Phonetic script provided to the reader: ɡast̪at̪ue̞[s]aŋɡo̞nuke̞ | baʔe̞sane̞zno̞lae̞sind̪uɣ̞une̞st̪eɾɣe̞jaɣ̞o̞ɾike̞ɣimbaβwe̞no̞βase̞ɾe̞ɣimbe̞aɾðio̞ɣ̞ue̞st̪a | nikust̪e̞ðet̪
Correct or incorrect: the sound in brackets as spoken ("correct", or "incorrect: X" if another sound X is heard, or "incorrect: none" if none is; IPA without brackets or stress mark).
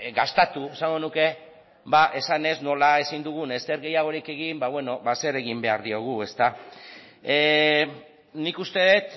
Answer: correct